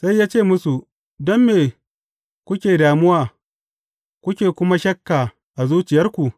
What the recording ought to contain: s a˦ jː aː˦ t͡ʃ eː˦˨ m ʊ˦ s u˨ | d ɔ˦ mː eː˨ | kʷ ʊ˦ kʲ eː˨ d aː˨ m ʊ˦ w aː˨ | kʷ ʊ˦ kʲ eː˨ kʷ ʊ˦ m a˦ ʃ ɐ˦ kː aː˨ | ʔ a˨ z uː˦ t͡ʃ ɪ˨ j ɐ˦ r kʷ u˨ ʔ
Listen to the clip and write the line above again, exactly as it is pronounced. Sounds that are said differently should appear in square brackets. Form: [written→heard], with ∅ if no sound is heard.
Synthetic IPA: s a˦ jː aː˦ t͡ʃ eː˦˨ m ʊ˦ s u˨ | d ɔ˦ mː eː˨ | kʷ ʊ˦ kʲ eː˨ d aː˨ m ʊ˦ w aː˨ | kʷ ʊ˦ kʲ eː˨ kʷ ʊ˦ m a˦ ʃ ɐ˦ kː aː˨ | ʔ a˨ z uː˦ t͡ʃ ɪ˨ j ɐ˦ r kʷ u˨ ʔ

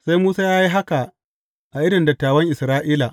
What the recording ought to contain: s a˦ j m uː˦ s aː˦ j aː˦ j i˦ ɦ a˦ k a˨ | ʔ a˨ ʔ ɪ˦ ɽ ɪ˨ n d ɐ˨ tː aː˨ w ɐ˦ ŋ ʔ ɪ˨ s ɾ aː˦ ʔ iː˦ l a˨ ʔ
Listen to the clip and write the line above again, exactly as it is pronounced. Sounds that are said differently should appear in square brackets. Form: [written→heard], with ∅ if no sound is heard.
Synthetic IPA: s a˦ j m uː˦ s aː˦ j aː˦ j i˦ ɦ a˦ k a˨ | ʔ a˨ ʔ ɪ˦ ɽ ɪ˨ n d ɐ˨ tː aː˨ w ɐ˦ ŋ ʔ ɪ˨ s ɾ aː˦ ʔ iː˦ l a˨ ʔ

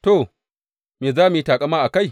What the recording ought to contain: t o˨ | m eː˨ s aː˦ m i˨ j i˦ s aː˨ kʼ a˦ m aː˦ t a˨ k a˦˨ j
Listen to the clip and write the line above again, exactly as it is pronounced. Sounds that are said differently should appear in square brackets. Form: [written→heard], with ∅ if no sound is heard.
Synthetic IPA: t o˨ | m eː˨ [s→z] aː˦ m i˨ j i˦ [s→t] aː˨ kʼ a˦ m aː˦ [t→ʔ] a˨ k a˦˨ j

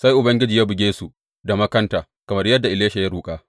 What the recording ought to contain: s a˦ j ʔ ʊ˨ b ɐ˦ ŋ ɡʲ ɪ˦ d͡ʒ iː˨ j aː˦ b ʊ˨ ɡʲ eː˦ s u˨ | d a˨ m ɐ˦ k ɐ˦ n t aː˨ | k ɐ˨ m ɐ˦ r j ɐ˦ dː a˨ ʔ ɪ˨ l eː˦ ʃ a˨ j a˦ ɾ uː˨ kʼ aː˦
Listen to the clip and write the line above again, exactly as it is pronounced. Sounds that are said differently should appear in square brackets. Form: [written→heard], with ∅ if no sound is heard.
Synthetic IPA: s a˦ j ʔ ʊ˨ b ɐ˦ ŋ ɡʲ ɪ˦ d͡ʒ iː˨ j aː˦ b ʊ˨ ɡʲ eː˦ s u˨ | d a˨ m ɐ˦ k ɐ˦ n t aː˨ | k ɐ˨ m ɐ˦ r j ɐ˦ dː a˨ ʔ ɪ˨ l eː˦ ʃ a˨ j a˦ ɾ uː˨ kʼ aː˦

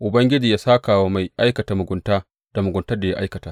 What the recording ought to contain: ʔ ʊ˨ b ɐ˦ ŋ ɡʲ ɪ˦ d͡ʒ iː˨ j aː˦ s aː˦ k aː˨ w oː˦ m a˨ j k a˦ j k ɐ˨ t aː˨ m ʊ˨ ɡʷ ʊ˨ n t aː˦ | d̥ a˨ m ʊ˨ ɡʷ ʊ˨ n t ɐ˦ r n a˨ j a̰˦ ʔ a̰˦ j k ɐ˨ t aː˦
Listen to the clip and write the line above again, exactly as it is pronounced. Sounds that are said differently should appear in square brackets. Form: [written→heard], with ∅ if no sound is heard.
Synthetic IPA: ʔ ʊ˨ b ɐ˦ ŋ ɡʲ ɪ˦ d͡ʒ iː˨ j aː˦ s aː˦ k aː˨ w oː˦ m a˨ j [k→ʔ] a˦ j k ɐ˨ t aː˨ m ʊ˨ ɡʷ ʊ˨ n t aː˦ | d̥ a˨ m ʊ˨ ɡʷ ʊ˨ n t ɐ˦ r [n→d] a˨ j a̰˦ ʔ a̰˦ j k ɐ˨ t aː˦

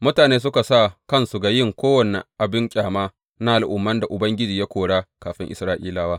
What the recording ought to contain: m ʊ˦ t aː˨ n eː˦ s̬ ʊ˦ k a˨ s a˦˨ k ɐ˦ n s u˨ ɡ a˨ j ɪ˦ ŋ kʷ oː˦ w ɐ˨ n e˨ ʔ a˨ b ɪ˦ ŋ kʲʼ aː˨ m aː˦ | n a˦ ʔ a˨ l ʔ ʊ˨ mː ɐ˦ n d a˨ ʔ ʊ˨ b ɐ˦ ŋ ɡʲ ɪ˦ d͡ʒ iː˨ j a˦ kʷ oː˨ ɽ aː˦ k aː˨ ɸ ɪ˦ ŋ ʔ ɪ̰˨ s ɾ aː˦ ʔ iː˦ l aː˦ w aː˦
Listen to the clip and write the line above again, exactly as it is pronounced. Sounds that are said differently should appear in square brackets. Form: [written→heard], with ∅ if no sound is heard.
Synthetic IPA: m ʊ˦ t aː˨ n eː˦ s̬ ʊ˦ k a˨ s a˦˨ k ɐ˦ n s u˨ ɡ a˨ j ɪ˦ ŋ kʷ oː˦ w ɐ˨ n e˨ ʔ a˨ b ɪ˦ ŋ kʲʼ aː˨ m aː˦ | n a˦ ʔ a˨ l ʔ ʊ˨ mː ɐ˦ n d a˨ ʔ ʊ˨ b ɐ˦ ŋ ɡʲ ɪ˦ d͡ʒ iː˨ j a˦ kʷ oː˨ ɽ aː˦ k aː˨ ɸ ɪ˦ ŋ ʔ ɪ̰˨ s ɾ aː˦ ʔ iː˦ l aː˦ w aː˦

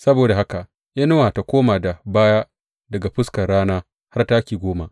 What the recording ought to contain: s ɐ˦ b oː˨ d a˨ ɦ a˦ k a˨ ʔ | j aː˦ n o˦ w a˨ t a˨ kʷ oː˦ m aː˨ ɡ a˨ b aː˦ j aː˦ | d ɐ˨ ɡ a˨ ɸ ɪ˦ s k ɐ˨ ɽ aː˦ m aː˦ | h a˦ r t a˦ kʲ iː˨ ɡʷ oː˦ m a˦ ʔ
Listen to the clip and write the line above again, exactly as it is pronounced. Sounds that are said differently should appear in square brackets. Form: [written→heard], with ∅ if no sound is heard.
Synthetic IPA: s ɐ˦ b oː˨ d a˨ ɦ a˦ k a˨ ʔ | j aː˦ n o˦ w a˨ t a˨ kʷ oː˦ m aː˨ [ɡ→d] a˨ b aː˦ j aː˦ | d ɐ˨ ɡ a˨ ɸ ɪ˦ s k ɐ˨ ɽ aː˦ [m→n] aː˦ | h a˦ r t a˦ kʲ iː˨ ɡʷ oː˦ m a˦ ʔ

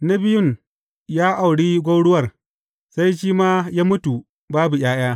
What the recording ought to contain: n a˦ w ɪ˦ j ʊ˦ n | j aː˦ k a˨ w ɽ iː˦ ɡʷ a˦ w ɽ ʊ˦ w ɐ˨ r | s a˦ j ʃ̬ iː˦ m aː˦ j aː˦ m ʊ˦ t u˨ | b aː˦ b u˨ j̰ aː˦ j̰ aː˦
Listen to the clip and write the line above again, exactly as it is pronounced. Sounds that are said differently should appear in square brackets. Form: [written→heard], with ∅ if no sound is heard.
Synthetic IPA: n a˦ [w→b] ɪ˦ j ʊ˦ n | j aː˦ [k→ʔ] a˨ w ɽ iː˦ ɡʷ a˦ w ɽ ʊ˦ w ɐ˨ r | s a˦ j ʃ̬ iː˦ m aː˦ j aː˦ m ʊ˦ t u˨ | b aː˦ b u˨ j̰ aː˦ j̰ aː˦

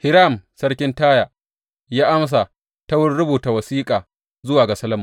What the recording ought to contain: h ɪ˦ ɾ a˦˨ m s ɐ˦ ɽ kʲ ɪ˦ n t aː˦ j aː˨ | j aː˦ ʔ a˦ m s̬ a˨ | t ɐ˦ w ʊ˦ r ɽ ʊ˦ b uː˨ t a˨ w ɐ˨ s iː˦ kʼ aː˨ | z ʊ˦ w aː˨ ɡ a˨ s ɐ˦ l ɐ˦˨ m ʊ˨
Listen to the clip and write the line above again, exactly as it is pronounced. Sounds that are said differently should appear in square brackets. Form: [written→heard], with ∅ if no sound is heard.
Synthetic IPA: h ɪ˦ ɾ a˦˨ m s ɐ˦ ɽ kʲ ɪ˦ n t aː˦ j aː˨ | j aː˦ ʔ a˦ m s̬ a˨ | t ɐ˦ w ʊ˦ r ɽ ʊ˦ b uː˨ t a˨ w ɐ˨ s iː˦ kʼ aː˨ | z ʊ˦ w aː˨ ɡ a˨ s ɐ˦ l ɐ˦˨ m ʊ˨

